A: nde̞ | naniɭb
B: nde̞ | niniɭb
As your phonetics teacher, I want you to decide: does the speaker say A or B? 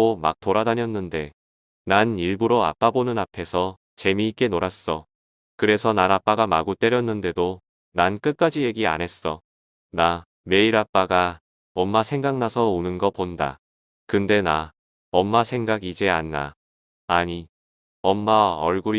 A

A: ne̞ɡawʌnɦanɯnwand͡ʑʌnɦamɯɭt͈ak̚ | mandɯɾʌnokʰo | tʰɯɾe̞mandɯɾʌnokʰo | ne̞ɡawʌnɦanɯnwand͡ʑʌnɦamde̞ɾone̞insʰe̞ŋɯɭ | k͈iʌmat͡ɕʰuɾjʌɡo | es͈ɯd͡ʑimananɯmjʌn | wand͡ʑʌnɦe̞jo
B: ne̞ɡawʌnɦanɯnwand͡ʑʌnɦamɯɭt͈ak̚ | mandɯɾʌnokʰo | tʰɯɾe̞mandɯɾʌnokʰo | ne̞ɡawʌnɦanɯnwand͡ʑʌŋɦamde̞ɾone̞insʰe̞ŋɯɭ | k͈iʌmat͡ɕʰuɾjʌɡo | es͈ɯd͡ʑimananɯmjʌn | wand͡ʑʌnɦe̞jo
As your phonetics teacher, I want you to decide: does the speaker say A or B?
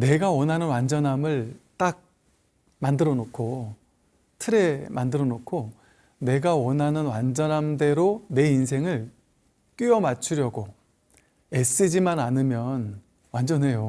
A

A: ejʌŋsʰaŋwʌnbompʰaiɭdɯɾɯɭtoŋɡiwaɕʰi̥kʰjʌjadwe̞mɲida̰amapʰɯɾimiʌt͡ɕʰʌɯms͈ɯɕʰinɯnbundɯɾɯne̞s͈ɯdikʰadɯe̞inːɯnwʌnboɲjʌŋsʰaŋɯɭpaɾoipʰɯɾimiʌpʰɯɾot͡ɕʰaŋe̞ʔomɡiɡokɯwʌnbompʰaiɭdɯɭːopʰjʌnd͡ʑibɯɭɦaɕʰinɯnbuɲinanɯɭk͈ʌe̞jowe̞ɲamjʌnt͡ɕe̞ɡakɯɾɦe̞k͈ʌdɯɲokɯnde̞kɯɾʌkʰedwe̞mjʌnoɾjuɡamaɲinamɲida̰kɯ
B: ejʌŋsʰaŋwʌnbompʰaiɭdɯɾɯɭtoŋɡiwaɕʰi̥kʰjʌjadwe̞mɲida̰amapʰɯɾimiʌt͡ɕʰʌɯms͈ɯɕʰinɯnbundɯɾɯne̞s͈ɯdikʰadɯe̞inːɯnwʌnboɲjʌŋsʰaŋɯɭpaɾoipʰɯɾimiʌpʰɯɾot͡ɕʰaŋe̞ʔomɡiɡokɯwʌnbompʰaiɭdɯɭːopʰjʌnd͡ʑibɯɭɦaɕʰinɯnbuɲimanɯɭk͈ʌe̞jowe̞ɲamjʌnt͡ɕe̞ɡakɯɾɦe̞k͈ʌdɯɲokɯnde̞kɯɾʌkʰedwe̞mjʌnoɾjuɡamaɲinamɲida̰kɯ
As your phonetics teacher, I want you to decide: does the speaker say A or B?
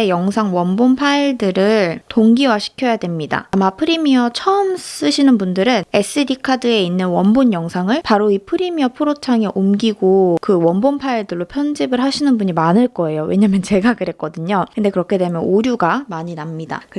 B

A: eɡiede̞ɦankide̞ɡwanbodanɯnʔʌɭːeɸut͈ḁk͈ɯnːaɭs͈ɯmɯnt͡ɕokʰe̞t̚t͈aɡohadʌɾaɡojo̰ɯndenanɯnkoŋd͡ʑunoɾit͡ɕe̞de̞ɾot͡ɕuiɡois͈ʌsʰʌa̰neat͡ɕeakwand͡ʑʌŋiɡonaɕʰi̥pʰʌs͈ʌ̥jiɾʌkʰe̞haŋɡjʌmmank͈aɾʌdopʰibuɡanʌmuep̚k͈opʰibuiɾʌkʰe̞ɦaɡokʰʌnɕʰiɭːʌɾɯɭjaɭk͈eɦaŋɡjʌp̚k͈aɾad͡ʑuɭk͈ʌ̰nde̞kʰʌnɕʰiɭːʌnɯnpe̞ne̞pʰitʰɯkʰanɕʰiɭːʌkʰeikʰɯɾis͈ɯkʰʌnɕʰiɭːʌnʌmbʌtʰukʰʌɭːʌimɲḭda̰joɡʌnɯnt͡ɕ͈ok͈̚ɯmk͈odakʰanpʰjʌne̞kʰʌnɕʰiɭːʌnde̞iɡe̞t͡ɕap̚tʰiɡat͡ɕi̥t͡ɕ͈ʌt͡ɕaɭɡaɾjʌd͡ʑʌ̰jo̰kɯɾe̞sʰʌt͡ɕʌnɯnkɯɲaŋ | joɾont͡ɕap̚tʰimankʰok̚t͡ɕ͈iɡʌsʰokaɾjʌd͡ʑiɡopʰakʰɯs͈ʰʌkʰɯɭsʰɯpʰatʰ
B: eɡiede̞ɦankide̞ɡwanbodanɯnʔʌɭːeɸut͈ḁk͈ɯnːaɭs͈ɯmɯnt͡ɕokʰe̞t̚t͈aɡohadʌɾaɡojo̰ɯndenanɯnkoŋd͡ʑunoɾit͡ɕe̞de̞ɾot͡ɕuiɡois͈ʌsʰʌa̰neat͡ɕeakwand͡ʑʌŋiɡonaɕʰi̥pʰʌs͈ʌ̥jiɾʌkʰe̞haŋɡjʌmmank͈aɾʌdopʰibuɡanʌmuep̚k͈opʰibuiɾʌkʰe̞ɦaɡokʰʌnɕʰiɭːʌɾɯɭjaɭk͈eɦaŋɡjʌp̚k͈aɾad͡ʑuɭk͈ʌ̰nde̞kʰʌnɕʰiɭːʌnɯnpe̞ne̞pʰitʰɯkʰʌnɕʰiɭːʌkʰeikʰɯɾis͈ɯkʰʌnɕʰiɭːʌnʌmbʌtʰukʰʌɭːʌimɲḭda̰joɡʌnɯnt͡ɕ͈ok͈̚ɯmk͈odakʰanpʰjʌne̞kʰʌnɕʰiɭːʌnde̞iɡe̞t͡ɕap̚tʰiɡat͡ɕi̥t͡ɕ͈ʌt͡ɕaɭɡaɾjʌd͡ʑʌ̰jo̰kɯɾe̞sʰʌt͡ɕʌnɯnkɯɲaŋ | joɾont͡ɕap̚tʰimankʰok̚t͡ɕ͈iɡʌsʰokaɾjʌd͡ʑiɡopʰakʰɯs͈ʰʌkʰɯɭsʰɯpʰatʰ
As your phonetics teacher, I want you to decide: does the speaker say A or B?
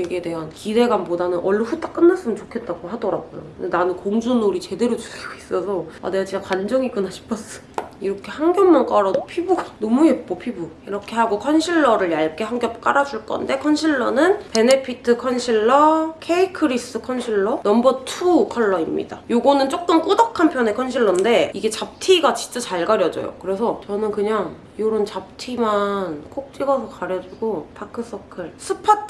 B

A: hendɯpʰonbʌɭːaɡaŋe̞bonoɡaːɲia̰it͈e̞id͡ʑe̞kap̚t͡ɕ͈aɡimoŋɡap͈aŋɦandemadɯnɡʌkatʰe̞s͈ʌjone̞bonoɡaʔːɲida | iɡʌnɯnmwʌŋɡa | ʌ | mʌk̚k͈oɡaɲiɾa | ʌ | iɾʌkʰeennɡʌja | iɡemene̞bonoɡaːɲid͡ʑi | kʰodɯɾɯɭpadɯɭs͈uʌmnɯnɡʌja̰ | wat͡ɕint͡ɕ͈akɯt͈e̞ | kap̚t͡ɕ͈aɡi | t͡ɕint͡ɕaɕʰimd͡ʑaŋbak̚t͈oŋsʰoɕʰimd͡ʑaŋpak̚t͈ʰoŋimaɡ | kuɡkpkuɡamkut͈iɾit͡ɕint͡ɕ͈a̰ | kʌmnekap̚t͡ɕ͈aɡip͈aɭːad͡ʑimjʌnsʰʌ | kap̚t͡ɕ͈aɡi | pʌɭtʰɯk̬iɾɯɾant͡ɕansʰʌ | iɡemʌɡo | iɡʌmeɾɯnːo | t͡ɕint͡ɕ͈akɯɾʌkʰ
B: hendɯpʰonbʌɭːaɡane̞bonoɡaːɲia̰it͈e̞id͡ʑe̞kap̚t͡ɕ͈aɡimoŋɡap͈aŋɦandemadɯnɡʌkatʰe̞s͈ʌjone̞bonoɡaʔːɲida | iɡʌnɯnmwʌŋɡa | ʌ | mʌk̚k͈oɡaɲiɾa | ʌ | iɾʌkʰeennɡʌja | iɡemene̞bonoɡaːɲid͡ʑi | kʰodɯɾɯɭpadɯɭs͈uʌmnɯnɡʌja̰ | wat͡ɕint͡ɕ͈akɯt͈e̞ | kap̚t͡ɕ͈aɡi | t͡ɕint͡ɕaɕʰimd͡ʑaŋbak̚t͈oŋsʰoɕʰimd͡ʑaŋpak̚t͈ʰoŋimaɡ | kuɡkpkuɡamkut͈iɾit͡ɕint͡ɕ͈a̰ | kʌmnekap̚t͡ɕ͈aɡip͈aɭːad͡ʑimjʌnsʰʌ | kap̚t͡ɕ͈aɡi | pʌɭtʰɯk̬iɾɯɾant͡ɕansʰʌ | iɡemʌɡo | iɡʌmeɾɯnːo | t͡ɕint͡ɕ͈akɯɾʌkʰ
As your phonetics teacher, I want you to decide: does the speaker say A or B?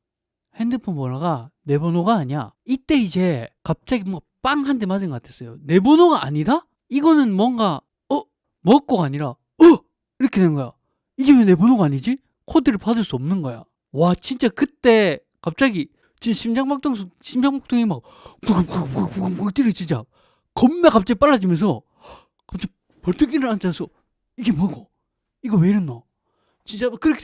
B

